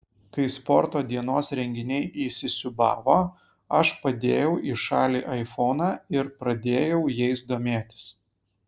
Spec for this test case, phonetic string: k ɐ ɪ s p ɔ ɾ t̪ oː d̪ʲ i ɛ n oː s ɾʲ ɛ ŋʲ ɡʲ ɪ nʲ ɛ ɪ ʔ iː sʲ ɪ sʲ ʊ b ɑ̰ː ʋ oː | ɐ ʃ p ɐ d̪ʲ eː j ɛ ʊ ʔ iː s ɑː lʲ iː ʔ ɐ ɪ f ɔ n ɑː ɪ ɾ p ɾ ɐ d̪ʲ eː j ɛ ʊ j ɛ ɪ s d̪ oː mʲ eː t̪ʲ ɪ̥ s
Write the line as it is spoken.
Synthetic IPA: k ɐ ɪ s p ɔ ɾ t̪ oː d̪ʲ i ɛ n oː s ɾʲ ɛ ŋʲ ɡʲ ɪ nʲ ɛ ɪ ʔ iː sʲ ɪ sʲ ʊ b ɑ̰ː ʋ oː | ɐ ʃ p ɐ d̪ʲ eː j ɛ ʊ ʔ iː ʃ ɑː lʲ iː ʔ ɐ ɪ f ɔ n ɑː ɪ ɾ p ɾ ɐ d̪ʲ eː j ɛ ʊ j ɛ ɪ s d̪ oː mʲ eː t̪ʲ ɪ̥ s